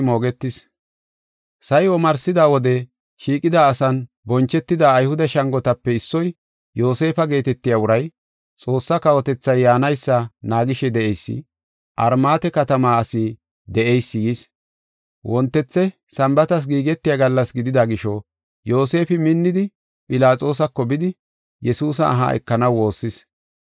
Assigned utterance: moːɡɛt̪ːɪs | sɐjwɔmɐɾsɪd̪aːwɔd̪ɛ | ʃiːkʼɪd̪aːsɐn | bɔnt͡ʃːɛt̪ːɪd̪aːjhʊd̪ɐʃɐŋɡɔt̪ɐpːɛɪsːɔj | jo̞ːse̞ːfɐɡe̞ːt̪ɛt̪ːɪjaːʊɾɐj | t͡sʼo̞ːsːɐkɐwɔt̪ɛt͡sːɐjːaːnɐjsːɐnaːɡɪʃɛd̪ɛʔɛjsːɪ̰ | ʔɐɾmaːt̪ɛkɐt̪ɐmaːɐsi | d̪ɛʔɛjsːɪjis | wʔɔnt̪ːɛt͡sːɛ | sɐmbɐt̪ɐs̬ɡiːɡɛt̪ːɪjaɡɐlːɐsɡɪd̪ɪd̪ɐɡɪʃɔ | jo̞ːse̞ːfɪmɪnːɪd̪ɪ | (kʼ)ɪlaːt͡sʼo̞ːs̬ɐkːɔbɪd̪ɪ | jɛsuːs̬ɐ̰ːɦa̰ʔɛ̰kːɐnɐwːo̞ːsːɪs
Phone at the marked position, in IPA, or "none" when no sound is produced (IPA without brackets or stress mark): pʼ